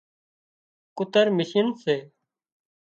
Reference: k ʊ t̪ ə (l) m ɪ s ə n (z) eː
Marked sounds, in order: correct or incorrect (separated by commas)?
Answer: incorrect, incorrect